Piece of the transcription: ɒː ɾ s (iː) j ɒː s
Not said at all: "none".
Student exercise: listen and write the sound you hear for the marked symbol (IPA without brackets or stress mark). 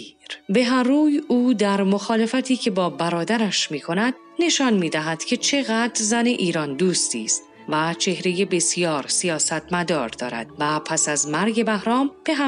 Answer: i